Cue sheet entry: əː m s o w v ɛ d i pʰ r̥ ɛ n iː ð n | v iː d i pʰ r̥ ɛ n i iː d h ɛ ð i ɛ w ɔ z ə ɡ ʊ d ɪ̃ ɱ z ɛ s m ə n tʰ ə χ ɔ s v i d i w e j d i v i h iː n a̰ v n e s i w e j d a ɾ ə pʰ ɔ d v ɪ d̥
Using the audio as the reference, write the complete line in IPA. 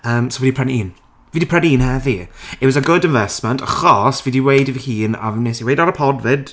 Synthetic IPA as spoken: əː m s o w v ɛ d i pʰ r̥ ɛ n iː n | v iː d i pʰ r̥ ɛ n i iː n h ɛ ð i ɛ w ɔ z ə ɡ ʊ d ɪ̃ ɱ v ɛ s m ə n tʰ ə χ ɔ s v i d i w e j d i v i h iː n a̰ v n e s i w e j d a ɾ ə pʰ ɔ d v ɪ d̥